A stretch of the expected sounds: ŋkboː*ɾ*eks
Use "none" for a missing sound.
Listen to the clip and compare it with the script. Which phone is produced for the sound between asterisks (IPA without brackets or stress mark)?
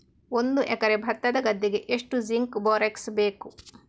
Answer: ɾ